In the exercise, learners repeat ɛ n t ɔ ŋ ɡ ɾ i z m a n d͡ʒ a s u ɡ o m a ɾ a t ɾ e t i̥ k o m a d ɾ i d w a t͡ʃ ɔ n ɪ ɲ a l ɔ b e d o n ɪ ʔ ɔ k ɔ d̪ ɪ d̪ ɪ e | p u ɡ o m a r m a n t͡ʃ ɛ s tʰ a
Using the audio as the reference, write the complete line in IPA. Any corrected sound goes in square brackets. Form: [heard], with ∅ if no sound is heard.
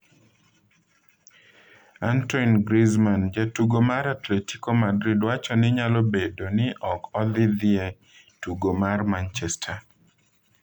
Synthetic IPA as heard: [a] n t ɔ [n] ɡ ɾ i z m a n d͡ʒ a [t] u ɡ o m a ɾ a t [l] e t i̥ k o m a d ɾ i d w a t͡ʃ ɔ n ɪ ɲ a l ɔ b e d o n ɪ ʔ ɔ k ɔ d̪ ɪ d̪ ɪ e | [t] u ɡ o m a r m a n t͡ʃ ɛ s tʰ a